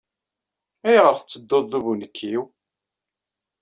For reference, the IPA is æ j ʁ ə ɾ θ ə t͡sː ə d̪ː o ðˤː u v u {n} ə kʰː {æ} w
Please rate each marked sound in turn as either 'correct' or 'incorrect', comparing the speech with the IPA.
correct, incorrect

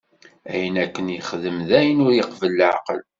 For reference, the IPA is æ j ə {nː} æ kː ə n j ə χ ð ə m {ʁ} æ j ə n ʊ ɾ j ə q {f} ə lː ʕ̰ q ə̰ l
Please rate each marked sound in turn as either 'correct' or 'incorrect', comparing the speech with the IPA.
incorrect, incorrect, incorrect

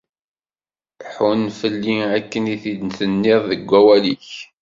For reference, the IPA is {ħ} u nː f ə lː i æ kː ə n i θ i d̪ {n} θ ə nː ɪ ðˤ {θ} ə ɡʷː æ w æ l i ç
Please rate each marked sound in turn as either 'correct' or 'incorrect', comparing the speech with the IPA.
correct, correct, incorrect

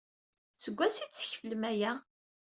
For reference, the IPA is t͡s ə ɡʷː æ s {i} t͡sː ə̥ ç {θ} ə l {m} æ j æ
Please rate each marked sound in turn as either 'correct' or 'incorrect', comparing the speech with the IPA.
correct, incorrect, correct

